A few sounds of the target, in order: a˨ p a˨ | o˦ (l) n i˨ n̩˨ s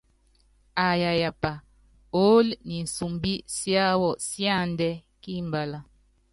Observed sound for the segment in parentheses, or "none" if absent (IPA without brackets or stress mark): l